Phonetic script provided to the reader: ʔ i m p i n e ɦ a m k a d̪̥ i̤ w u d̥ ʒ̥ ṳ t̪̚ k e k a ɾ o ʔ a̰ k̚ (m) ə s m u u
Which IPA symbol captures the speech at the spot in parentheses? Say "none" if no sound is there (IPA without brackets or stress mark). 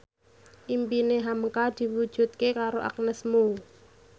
n